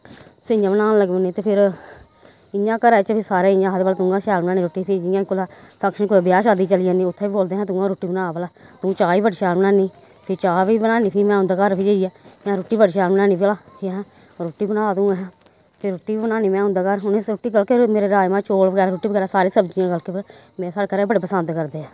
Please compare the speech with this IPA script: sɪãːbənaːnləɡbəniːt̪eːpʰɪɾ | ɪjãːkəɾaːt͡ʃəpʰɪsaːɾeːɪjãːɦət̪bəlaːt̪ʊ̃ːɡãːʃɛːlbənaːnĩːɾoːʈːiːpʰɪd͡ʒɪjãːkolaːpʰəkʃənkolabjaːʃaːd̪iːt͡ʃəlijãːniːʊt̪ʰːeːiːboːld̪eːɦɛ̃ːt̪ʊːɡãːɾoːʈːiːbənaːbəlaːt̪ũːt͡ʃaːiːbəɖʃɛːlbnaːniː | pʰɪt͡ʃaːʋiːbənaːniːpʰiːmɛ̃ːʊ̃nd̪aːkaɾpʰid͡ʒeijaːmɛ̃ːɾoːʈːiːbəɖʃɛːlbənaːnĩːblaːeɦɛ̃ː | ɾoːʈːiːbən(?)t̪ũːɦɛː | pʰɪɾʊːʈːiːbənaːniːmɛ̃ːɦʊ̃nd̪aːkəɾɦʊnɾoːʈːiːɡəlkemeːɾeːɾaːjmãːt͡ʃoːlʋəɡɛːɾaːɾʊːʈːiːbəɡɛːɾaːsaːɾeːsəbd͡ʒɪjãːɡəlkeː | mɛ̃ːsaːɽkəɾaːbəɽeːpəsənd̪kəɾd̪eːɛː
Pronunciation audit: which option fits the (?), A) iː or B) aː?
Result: B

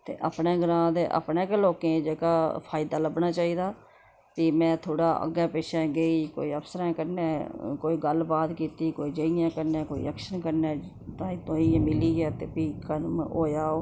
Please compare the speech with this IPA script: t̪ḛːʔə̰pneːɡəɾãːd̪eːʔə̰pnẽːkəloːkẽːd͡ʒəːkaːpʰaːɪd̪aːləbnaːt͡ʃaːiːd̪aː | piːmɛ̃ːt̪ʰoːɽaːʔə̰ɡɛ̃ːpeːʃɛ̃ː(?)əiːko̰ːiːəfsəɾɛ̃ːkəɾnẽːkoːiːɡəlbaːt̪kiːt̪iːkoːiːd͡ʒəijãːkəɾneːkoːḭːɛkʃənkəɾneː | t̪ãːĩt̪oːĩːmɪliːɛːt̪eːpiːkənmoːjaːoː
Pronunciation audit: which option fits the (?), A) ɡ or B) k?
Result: A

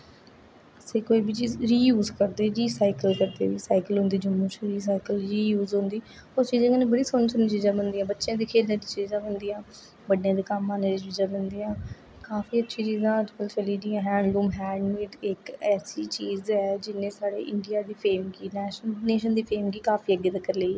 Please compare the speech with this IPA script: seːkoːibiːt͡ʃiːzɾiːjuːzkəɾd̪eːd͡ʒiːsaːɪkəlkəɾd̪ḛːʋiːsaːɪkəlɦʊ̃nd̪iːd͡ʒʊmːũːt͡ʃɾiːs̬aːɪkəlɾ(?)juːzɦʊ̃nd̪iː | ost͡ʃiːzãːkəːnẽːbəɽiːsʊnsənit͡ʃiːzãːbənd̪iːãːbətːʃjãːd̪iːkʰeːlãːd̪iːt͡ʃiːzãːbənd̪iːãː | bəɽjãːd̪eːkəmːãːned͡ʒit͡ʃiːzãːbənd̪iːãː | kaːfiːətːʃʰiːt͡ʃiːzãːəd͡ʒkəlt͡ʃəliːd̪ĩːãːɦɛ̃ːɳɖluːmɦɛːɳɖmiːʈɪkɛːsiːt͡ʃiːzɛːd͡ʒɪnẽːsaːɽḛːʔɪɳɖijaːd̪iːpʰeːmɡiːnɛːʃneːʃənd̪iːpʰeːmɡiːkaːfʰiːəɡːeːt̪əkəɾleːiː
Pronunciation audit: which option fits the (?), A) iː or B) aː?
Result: A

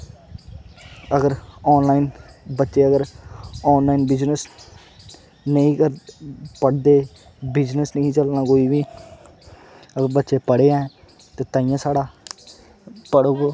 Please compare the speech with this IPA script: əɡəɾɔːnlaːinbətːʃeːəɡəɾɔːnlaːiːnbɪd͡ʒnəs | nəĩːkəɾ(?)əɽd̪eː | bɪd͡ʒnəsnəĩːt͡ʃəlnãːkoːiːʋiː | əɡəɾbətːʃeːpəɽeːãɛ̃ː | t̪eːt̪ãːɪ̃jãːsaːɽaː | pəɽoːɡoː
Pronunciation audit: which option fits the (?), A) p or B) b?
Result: A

